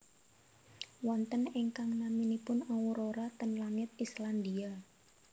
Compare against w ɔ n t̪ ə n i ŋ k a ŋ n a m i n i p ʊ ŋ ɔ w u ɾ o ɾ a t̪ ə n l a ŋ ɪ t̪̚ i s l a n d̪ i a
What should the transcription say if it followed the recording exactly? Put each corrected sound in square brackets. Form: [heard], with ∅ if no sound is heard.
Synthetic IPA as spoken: w ɔ n t̪ ə n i ŋ k a ŋ n a m i n i p ʊ [n] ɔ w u ɾ o ɾ a t̪ ə n l a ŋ ɪ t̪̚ i s l a n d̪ i a

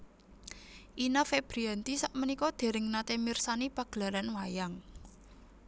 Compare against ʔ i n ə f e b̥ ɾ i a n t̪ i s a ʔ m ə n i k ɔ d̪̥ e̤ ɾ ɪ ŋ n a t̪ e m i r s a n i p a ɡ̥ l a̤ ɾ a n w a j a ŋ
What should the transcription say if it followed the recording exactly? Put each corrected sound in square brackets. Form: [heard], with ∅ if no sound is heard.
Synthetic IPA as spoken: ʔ i n [a] f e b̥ ɾ i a n t̪ i s a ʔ m ə n i k ɔ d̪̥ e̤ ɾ ɪ ŋ n a t̪ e m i r s a n i p a ɡ̥ l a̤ ɾ a n w a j a ŋ

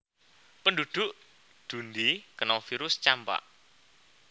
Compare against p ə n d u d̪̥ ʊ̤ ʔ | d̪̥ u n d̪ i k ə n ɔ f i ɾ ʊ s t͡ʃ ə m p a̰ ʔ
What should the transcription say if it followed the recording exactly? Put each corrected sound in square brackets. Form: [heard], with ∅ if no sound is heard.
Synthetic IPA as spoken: p ə n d u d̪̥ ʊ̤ ʔ | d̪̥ u n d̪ i k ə n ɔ f i ɾ ʊ s t͡ʃ [a] m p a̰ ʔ

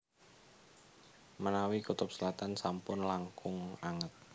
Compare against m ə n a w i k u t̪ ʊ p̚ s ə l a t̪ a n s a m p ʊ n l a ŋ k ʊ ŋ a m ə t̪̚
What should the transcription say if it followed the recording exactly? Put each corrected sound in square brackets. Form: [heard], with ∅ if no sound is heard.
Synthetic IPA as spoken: m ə n a w i k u t̪ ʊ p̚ s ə l a t̪ a n s a m p ʊ n l a ŋ k ʊ ŋ a [ŋ] ə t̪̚

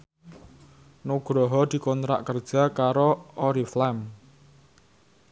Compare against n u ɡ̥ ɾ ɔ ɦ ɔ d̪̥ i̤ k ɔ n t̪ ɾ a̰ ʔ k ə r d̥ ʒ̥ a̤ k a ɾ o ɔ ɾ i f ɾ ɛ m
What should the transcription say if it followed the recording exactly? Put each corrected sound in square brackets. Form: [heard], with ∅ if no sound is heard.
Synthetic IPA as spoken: n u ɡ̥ ɾ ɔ ɦ ɔ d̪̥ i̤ k ɔ n t̪ ɾ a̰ ʔ k ə r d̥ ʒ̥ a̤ k a ɾ o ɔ ɾ i f [l] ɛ m

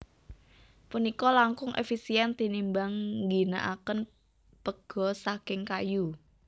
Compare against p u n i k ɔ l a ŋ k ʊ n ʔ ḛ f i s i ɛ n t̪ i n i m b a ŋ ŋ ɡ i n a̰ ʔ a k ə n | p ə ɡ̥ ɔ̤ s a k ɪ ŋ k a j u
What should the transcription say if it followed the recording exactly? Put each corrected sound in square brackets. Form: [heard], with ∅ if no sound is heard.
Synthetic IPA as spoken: p u n i k ɔ l a ŋ k ʊ [ŋ] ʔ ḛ f i s i ɛ n t̪ i n i m b a ŋ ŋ ɡ i n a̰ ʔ a k ə n | p ə ɡ̥ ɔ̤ s a k ɪ ŋ k a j u

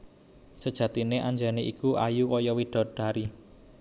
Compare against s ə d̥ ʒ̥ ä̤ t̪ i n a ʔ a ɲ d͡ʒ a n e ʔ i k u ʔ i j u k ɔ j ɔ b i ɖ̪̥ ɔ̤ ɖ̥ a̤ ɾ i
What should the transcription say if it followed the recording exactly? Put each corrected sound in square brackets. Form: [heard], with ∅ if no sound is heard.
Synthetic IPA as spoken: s ə d̥ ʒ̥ ä̤ t̪ i n [e] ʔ a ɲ d͡ʒ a n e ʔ i k u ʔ [a] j u k ɔ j ɔ [w] i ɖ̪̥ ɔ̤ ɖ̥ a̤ ɾ i

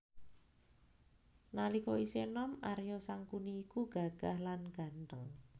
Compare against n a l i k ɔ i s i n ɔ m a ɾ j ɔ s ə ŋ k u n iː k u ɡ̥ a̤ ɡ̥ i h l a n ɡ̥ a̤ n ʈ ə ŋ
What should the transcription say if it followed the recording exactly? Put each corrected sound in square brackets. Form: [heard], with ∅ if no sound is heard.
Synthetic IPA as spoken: n a l i k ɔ i s [e] n ɔ m a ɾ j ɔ s [a] ŋ k u n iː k u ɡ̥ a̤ ɡ̥ [a] h l a n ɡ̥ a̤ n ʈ ə ŋ

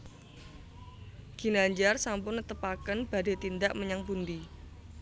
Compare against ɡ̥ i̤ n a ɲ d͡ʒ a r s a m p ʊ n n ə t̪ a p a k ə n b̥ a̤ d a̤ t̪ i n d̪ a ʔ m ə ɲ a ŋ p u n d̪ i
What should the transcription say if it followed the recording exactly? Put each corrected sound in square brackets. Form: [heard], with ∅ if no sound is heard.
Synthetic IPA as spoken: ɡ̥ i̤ n a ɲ d͡ʒ a r s a m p ʊ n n ə t̪ [ə] p a k ə n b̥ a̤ d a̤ t̪ i n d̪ a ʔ m ə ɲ a ŋ p u n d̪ i

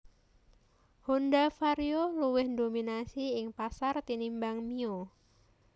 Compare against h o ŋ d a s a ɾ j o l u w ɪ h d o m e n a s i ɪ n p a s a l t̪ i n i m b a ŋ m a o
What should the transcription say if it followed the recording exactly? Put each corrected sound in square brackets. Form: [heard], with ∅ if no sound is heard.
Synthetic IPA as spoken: h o [n] d a [f] a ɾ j o l u w ɪ h d o m [i] n a s i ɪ [ŋ] p a s a [r] t̪ i n i m b a ŋ m [i] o

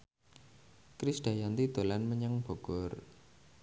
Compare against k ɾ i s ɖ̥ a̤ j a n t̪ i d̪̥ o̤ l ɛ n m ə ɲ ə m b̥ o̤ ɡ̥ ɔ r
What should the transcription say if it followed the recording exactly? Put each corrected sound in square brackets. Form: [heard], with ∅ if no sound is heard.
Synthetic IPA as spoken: k ɾ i s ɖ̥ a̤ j a n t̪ i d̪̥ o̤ l [a] n m ə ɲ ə [ŋ] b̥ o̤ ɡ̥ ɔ r

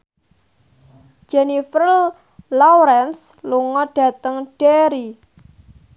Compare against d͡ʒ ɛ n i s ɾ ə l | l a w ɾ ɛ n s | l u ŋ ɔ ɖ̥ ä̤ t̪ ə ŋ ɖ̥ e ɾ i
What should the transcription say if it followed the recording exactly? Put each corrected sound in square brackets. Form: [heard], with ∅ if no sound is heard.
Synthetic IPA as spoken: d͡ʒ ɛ n i [f] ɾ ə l | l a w ɾ ɛ n s | l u ŋ ɔ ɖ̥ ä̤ t̪ ə ŋ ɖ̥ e ɾ i

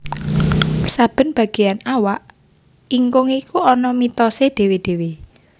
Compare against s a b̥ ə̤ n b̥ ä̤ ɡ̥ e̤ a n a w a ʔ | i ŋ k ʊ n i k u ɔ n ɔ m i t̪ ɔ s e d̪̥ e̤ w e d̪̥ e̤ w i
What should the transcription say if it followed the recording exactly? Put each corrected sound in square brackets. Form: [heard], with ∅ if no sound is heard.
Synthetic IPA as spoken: s a b̥ ə̤ n b̥ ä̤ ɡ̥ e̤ a n a w a ʔ | i ŋ k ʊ [ŋ] i k u ɔ n ɔ m i t̪ ɔ s e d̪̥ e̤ w e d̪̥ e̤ w [e]

